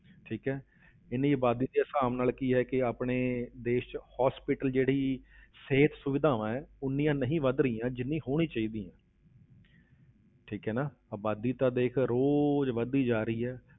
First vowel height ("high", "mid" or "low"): high